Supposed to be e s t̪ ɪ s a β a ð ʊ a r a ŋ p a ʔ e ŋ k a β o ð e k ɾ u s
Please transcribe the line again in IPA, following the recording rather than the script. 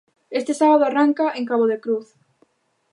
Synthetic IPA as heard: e s t̪ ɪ s a β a ð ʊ a r a ŋ k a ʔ e ŋ k a β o ð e k ɾ u θ